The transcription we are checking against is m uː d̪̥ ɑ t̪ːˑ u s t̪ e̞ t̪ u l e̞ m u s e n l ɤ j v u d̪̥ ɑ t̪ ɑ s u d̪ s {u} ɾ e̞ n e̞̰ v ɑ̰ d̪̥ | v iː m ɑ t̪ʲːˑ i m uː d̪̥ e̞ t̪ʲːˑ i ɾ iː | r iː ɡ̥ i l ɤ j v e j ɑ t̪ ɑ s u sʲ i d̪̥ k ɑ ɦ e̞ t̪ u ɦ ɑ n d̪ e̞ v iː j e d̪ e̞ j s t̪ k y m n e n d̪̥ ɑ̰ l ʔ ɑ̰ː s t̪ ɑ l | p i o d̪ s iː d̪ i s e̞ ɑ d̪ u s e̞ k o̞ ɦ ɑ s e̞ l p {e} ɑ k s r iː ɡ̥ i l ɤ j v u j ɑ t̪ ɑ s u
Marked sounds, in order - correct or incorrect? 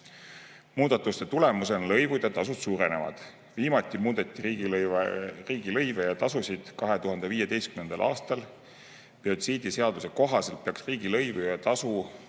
incorrect: uː, correct

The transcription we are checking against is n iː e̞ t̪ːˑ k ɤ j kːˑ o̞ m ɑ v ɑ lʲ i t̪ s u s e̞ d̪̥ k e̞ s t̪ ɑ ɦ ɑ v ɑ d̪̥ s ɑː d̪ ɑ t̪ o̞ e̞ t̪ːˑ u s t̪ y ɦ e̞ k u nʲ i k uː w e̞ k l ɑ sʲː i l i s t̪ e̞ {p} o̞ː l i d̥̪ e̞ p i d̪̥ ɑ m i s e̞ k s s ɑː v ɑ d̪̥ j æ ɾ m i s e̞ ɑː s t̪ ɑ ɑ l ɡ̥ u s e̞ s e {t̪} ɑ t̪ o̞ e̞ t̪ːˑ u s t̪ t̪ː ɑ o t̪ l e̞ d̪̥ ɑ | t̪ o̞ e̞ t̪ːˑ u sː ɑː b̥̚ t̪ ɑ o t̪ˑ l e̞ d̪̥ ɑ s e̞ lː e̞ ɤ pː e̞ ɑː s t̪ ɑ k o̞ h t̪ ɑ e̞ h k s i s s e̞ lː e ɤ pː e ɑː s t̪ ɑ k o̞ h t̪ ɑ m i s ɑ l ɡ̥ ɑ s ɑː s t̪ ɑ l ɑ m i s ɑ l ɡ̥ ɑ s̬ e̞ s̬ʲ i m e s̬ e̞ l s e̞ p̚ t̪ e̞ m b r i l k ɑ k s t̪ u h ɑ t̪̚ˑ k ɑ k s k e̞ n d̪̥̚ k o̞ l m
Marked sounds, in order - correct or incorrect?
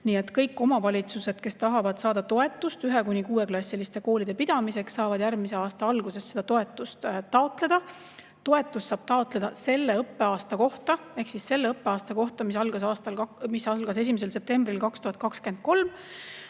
incorrect: k, incorrect: d̪

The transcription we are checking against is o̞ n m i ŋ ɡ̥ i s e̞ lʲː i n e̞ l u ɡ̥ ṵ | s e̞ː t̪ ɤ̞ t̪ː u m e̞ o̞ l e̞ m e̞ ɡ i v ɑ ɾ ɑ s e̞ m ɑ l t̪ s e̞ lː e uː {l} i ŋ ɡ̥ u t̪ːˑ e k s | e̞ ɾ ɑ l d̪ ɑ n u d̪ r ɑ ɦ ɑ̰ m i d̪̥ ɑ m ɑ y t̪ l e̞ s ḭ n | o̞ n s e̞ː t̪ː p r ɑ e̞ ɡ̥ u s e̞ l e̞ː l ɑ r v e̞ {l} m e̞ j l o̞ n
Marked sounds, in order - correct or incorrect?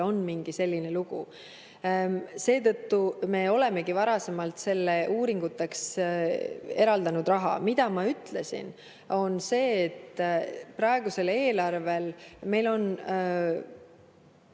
incorrect: ɾ, correct

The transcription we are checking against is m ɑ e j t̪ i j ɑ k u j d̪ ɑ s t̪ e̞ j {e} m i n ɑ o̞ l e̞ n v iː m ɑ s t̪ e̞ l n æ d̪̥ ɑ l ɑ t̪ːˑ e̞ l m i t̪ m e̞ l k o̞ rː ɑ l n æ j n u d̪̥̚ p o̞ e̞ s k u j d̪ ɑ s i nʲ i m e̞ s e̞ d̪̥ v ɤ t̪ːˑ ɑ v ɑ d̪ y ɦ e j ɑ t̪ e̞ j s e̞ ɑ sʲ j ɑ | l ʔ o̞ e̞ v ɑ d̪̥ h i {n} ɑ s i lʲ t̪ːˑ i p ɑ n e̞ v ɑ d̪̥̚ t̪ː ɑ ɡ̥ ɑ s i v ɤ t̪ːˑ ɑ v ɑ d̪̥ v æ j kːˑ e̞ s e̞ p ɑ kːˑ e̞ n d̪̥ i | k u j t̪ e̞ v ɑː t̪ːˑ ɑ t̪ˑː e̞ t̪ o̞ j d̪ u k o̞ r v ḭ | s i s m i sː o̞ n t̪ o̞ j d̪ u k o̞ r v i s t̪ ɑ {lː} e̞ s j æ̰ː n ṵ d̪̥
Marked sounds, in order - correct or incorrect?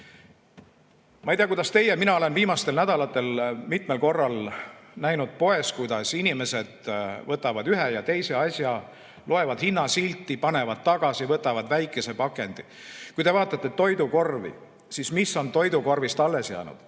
correct, incorrect: nː, correct

